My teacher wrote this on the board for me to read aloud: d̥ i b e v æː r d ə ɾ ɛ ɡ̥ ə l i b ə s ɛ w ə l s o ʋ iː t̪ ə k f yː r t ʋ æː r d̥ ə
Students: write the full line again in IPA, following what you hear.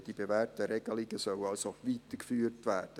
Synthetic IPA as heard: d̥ i b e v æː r t ə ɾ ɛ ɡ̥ ə l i ɡ ə s œ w ɑ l s o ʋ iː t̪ ə k f yː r t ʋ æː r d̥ ə